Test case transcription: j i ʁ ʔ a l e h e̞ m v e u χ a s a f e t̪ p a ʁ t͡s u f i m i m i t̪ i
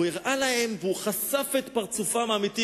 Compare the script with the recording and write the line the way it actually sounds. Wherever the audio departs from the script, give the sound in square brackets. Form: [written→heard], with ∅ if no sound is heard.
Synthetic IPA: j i ʁ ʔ a l [e→a] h e̞ m v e u χ a s a f e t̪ p a ʁ t͡s u f [i→a] m [i→a] m i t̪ i